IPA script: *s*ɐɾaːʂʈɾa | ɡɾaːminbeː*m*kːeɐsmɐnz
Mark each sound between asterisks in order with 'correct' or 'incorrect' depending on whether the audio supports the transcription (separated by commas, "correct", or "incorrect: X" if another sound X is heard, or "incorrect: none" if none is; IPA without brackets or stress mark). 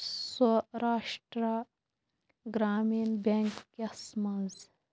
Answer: correct, incorrect: ŋ